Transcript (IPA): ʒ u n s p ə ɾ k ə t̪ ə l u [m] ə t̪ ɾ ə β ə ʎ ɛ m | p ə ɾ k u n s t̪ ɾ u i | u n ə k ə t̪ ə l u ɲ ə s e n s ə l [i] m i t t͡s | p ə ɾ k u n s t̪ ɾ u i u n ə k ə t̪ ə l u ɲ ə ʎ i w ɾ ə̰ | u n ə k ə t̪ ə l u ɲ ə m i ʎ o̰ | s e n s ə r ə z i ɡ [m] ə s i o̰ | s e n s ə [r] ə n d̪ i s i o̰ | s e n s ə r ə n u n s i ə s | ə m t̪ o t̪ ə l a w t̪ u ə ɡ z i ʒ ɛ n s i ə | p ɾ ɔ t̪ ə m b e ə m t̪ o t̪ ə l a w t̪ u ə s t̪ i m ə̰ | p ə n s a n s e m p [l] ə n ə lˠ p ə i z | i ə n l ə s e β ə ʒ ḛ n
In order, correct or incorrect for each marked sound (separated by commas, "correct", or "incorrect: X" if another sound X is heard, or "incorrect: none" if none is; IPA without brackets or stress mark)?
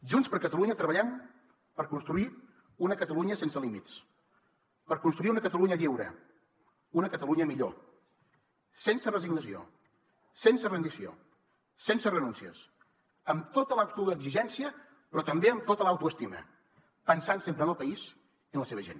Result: incorrect: ɲ, correct, incorrect: n, correct, incorrect: ɾ